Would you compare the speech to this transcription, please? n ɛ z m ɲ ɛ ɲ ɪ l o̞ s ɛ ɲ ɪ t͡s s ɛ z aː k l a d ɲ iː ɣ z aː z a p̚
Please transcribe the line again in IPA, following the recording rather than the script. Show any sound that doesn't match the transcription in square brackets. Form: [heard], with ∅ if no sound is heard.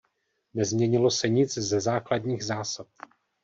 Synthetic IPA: n ɛ z m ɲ ɛ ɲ ɪ l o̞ s ɛ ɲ ɪ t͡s [z] ɛ z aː k l a d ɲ iː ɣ z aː [s] a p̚